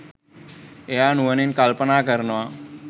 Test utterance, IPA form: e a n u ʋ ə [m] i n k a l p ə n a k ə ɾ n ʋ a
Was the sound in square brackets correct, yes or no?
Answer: no